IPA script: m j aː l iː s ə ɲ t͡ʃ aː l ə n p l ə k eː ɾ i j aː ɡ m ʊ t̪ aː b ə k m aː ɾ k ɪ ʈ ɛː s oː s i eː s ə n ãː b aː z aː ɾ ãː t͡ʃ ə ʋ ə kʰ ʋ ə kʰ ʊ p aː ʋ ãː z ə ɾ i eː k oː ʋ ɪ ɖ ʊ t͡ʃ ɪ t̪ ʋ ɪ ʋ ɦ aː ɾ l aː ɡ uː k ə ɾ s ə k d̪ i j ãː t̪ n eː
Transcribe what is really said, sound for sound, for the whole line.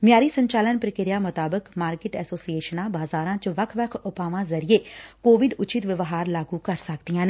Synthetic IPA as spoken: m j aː ɾ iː s ə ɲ t͡ʃ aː l ə n p ɾ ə k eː ɾ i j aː m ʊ t̪ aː b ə k m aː ɾ k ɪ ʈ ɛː s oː s i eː ʃ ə n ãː b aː z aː ɾ ãː t͡ʃ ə ʋ ə kʰ ʋ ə kʰ ʊ p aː ʋ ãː z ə ɾ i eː k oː ʋ ɪ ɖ ʊ t͡ʃ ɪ t̪ ʋ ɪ ʋ ɦ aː ɾ l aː ɡ uː k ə ɾ s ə k d̪ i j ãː n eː

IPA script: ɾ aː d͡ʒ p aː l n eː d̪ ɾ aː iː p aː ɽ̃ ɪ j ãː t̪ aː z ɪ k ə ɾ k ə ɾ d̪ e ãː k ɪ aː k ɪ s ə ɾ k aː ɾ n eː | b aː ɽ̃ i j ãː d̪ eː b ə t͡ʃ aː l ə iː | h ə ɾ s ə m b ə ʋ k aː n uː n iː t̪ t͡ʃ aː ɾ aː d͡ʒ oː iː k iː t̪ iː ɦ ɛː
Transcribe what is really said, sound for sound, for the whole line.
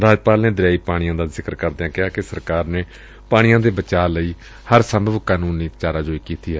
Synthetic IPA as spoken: ɾ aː d͡ʒ p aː l n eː d̪ ɾ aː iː p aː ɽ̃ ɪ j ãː d̪ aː z ɪ k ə ɾ k ə ɾ d̪ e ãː k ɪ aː k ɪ s ə ɾ k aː ɾ n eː | p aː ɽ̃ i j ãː d̪ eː b ə t͡ʃ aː l ə iː | h ə ɾ s ə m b ə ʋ k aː n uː n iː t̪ t͡ʃ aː ɾ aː d͡ʒ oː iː k iː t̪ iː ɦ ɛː

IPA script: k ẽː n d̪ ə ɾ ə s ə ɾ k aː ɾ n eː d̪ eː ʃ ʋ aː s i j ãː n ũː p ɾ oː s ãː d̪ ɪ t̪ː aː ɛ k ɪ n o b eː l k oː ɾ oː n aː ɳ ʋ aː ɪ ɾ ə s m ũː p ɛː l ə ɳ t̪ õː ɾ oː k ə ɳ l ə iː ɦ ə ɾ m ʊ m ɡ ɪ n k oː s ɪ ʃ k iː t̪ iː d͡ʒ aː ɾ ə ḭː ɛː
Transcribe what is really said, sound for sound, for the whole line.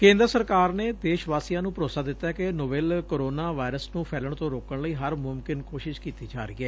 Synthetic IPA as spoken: k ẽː n d̪ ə ɾ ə s ə ɾ k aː ɾ n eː d̪ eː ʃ ʋ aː s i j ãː n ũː p ɾ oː s aː d̪ ɪ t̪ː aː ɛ k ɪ n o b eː l k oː ɾ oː n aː ʋ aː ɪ ɾ ə s n ũː pʰ ɛː l ə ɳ t̪ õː ɾ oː k ə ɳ l ə iː ɦ ə ɾ m ʊ m k ɪ n k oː ʃ ɪ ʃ k iː t̪ iː d͡ʒ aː ɾ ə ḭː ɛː

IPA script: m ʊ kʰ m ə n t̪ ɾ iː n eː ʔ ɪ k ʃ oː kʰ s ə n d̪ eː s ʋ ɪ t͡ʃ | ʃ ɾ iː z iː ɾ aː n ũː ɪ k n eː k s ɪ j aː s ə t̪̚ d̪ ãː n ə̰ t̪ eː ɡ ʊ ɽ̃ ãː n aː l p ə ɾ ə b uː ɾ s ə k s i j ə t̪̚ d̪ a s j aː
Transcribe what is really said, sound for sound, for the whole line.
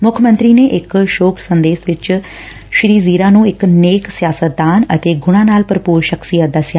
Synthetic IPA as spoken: m ʊ kʰ m ə n t̪ ɾ iː n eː ʔ ɪ k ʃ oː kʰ s ə n d̪ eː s ʋ ɪ t͡ʃ | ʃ ɾ iː z iː ɾ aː n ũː ɪ k n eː k s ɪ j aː s ə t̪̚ d̪ aː n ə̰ t̪ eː ɡ ʊ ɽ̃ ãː n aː l p ə ɾ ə p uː ɾ ʃ ə k s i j ə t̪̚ d̪ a s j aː

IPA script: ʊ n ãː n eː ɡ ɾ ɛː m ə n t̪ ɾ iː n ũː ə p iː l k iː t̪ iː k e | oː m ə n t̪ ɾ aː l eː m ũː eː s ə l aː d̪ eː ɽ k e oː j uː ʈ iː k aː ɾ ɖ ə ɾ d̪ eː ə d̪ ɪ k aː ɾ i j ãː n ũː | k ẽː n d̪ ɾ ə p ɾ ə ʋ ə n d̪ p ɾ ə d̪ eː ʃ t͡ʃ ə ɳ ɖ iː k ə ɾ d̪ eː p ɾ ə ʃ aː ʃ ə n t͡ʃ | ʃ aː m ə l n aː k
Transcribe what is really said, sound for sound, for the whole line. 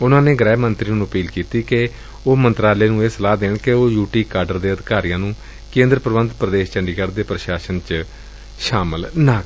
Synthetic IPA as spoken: ʊ n ãː n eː ɡ ɾ ɛː m ə n t̪ ɾ iː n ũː ə p iː l k iː t̪ iː k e | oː m ə n t̪ ɾ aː l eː n ũː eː s ə l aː d̪ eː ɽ k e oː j uː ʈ iː k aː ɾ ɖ ə ɾ d̪ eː ə d̪ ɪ k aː ɾ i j ãː n ũː | k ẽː n d̪ ɾ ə p ɾ ə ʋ ə n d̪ p ɾ ə d̪ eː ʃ t͡ʃ ə ɳ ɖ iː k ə ɾ d̪ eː p ɾ ə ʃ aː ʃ ə n t͡ʃ | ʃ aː m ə l n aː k

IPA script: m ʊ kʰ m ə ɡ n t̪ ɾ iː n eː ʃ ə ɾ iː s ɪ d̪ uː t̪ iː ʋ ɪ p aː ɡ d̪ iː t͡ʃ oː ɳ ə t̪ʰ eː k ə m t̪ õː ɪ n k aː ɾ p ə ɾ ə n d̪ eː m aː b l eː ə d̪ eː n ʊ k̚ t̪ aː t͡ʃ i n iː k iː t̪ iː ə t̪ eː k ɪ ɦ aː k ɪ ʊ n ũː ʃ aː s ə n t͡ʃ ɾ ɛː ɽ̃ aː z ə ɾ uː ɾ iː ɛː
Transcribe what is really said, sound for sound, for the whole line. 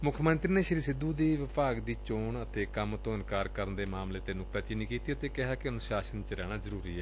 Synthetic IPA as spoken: m ʊ kʰ m ə n t̪ ɾ iː n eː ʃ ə ɾ iː s ɪ d̪ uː d̪ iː ʋ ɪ p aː ɡ d̪ iː t͡ʃ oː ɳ ə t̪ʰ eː k ə m t̪ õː ɪ n k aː ɾ k ə ɾ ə n d̪ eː m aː m l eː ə t̪ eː n ʊ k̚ t̪ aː t͡ʃ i n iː k iː t̪ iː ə t̪ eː k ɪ ɦ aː k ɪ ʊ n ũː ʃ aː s ə n t͡ʃ ɾ ɛː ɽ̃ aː z ə ɾ uː ɾ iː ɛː

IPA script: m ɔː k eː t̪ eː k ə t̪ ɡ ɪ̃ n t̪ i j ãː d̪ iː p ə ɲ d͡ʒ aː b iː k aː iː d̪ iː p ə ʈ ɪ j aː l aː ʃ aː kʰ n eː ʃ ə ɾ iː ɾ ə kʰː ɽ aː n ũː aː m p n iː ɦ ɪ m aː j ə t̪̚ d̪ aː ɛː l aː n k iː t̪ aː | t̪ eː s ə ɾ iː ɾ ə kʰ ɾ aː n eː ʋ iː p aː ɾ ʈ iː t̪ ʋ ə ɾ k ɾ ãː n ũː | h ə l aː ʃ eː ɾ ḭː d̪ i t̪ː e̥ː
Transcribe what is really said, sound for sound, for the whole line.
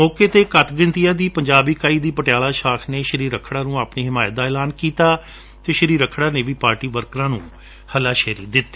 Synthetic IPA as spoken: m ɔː k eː t̪ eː k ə t̪ ɡ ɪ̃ n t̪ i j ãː d̪ iː p ə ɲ d͡ʒ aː b iː k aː iː d̪ iː p ə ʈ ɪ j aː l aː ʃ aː kʰ n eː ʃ ə ɾ iː ɾ ə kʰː ɽ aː n ũː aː p n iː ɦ ɪ m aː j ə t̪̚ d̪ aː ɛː l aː n k iː t̪ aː | t̪ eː ʃ ə ɾ iː ɾ ə kʰ ɽ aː n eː ʋ iː p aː ɾ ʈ iː ʋ ə ɾ k ɾ ãː n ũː | h ə l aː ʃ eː ɾ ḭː d̪ ɪ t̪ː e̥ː

